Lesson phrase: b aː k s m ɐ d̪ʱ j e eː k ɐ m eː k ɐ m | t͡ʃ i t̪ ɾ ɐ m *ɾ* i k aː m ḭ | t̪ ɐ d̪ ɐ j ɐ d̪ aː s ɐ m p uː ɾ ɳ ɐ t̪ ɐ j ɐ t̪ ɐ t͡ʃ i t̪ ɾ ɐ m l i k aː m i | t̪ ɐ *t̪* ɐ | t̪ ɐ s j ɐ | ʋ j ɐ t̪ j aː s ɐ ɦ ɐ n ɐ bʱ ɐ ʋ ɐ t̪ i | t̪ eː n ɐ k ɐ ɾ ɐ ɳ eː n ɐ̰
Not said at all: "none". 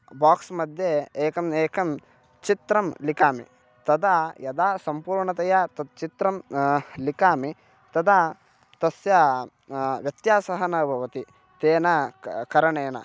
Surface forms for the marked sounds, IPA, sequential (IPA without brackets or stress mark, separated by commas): l, d̪